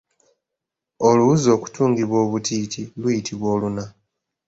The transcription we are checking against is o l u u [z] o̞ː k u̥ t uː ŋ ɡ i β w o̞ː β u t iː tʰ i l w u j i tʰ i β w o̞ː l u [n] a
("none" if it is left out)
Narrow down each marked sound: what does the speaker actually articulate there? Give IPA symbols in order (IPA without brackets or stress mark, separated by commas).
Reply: z, n